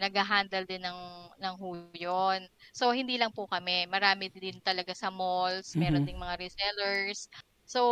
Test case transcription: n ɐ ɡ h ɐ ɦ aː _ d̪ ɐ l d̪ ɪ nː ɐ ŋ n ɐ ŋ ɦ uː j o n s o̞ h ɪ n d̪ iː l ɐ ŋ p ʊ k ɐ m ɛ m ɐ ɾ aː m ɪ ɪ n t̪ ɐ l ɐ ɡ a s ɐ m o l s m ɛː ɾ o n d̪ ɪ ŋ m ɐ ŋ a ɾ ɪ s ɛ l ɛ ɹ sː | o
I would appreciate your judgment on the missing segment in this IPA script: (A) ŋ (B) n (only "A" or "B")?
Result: B